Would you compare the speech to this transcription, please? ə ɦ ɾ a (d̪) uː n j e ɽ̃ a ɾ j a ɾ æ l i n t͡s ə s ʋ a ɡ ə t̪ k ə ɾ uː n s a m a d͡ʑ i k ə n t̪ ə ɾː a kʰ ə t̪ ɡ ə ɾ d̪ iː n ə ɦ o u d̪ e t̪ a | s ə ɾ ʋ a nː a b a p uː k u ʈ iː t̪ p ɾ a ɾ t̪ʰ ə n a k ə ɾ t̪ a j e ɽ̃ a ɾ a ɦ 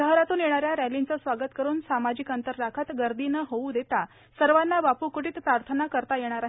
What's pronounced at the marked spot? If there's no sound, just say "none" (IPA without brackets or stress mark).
t̪